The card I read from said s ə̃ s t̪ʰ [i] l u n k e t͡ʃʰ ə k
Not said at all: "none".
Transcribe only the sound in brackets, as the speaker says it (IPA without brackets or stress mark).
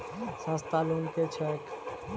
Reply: a